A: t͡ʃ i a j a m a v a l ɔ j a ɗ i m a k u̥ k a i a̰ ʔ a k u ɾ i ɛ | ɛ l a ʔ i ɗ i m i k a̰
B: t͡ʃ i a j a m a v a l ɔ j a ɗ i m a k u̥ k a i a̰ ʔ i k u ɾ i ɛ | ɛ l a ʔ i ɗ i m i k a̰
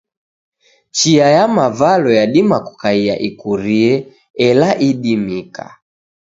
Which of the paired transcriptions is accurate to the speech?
B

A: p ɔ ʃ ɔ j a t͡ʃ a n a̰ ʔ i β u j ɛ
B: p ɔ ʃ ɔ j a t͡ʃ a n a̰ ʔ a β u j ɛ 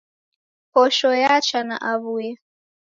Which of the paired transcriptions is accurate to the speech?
B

